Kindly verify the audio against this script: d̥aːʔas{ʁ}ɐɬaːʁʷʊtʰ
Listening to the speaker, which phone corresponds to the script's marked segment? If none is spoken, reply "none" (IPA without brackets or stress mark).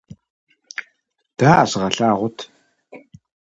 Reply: ʁ